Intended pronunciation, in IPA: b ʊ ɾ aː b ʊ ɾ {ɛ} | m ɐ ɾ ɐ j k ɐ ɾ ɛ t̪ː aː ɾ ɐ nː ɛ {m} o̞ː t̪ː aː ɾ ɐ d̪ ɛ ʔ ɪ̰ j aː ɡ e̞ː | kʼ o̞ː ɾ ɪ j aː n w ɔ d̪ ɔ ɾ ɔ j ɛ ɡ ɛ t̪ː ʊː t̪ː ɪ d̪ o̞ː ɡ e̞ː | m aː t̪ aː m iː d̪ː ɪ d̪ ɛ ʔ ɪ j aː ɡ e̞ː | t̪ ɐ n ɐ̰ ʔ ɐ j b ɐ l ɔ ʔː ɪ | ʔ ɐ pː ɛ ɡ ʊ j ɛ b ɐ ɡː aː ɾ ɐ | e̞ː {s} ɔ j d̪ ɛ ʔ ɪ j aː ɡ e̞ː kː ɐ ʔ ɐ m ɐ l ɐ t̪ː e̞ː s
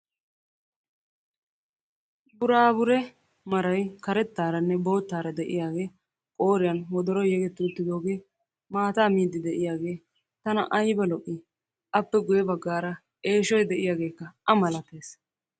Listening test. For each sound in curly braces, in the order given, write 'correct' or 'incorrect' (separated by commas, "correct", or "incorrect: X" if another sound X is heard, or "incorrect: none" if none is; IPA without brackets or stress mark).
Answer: correct, incorrect: b, incorrect: ʃ